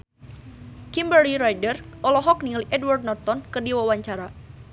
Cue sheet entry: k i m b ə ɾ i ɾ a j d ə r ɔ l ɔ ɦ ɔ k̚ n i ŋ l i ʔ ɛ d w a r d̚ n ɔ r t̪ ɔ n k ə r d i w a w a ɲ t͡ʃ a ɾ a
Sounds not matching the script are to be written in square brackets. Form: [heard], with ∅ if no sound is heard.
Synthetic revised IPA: k i m b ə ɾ i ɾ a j d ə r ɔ l ɔ ɦ ɔ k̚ n i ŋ l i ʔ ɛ d w a r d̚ n ɔ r t̪ ɔ n k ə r d i w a w a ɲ t͡ʃ a ɾ a